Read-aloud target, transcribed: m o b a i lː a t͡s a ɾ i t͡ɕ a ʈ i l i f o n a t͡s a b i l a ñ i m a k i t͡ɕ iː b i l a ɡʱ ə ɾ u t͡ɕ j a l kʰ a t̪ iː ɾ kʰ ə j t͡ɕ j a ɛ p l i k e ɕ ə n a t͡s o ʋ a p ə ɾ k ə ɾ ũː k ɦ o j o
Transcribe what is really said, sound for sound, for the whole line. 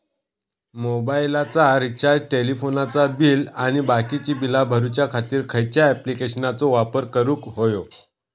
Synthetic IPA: m o b a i l a t͡s a ɾ i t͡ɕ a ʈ e l i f o n a t͡s a b i l a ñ i b a k i t͡ɕ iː b i l a bʱ ə ɾ u t͡ɕ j a kʰ a t̪ iː ɾ kʰ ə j t͡ɕ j a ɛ p l i k e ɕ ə n a t͡s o ʋ a p ə ɾ k ə ɾ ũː k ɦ o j o